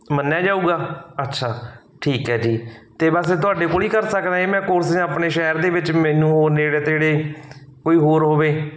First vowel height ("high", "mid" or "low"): mid